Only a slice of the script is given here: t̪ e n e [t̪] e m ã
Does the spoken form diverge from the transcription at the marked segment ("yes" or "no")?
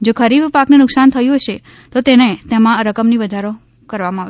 no